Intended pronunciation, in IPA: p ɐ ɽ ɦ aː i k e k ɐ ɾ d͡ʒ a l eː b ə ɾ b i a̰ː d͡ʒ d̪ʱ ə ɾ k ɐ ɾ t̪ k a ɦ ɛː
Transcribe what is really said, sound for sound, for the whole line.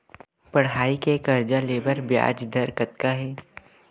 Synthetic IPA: p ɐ ɽ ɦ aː i k e k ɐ ɾ d͡ʒ a l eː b ə ɾ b j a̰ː d͡ʒ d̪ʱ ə ɾ k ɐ t̪ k a ɦ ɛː